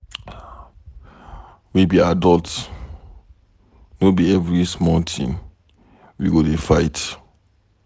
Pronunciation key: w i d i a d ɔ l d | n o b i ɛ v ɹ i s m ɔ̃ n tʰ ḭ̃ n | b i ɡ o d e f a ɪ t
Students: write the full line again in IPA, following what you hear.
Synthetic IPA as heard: w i b i a d ɔ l t | n o b i ɛ v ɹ i s m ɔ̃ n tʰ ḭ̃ n | w i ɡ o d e f a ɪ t